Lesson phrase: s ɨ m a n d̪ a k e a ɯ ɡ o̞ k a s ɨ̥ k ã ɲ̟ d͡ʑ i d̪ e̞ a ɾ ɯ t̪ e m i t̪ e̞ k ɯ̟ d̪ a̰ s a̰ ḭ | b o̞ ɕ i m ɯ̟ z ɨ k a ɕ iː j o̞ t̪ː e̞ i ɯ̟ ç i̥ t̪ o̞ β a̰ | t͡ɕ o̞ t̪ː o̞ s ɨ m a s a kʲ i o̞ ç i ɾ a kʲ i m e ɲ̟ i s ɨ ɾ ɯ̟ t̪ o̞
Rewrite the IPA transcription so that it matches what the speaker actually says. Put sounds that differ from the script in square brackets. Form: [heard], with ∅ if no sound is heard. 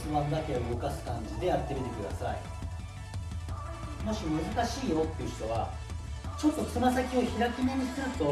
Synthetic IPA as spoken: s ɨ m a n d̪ a k e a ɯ ɡ o̞ k a s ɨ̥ k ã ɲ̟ d͡ʑ i d̪ e̞ a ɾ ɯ t̪ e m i t̪ e̞ k ɯ̟ d̪ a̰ s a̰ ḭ | [m] o̞ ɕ i m ɯ̟ z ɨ k a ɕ iː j o̞ t̪ː e̞ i ɯ̟ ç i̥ t̪ o̞ β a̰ | t͡ɕ o̞ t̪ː o̞ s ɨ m a s a kʲ i o̞ ç i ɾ a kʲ i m e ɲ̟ i s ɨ ɾ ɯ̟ t̪ o̞